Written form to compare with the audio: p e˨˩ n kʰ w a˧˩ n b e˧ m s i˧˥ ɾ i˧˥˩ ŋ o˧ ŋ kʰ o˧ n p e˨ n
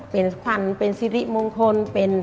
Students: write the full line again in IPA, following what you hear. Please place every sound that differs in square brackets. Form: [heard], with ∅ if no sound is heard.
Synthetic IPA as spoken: p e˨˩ n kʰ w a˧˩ n [p] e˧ [n] s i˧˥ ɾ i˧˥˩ [m] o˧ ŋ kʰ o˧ n p e˨ n